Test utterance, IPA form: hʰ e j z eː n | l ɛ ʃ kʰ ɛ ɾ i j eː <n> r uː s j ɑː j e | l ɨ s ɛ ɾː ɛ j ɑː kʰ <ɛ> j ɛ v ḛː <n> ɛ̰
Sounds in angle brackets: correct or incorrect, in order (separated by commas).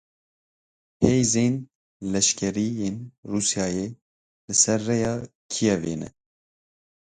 correct, incorrect, correct